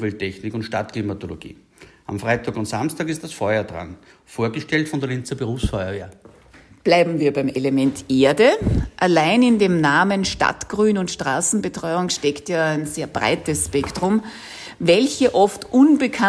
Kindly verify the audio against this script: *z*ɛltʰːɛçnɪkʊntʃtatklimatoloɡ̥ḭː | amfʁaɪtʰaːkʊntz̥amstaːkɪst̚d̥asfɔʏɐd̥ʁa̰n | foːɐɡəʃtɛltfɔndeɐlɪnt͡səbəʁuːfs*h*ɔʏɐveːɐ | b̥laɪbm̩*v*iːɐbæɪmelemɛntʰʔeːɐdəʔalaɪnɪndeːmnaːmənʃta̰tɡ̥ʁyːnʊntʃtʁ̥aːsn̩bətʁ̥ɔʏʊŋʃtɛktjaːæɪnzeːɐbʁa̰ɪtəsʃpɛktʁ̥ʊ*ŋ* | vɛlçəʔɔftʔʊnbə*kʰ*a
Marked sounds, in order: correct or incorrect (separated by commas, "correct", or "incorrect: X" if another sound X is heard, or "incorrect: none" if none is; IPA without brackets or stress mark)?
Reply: incorrect: v, incorrect: f, correct, incorrect: m, correct